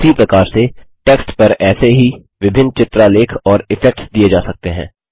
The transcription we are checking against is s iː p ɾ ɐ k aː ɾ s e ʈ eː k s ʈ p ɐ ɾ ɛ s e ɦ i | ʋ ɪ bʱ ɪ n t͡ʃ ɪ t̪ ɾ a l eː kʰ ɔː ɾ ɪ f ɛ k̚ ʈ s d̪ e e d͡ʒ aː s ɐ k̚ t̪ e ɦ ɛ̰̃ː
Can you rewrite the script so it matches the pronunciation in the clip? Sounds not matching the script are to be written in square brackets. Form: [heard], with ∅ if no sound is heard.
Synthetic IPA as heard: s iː p ɾ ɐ k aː ɾ s e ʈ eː k s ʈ p ɐ ɾ [ɛː] s e ɦ i | ʋ ɪ bʱ ɪ n t͡ʃ ɪ t̪ ɾ a l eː kʰ ɔː ɾ ɪ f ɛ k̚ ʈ s d̪ [i] e d͡ʒ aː s ɐ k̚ t̪ e ɦ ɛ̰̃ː